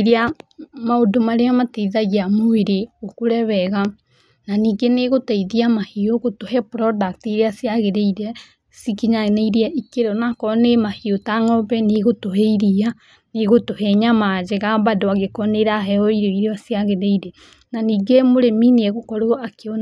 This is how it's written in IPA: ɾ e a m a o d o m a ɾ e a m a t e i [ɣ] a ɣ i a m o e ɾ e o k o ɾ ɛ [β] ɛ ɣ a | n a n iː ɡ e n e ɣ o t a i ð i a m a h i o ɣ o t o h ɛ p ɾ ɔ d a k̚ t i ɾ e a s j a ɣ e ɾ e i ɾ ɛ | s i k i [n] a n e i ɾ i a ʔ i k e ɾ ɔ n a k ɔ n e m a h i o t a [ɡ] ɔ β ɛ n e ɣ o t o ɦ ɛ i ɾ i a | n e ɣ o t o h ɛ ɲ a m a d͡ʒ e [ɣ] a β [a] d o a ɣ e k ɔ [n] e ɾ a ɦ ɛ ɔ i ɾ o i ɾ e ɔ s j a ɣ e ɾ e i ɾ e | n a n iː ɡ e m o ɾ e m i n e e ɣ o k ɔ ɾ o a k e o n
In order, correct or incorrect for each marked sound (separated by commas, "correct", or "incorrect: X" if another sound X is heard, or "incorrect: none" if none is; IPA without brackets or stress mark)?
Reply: incorrect: ð, correct, incorrect: ɲ, incorrect: ŋ, correct, correct, correct